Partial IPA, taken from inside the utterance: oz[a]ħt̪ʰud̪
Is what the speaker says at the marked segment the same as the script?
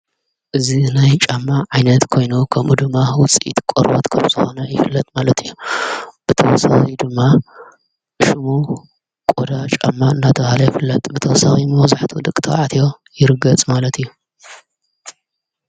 yes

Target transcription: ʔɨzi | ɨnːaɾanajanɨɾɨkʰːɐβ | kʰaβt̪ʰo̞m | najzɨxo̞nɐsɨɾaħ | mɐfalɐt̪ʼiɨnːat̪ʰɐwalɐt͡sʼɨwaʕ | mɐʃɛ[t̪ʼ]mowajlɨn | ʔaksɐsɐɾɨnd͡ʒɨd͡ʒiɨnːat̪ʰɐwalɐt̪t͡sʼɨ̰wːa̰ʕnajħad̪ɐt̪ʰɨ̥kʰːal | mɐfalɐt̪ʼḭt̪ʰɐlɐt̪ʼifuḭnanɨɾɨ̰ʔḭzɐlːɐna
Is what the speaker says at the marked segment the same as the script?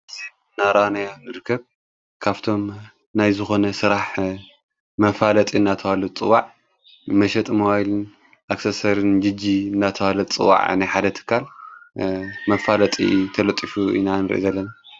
yes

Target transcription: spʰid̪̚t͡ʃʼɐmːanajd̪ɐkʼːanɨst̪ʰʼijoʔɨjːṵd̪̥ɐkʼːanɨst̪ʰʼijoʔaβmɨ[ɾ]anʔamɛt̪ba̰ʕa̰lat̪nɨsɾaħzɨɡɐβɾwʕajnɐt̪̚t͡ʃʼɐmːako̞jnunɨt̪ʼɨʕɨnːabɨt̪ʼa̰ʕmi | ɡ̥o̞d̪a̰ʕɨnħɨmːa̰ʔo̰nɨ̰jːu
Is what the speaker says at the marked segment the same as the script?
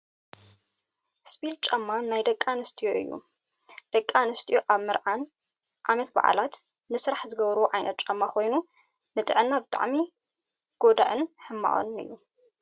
yes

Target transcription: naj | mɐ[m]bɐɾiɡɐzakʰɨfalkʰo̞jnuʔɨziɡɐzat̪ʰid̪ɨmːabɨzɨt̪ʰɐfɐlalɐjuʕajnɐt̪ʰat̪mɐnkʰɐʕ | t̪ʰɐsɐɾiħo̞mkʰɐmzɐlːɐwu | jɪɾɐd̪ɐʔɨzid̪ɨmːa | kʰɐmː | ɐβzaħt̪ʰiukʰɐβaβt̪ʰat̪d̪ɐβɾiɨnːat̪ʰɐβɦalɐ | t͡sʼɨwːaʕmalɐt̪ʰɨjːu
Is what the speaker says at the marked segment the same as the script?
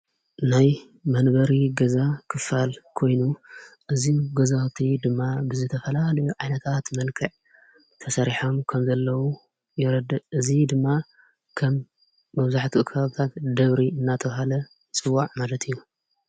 no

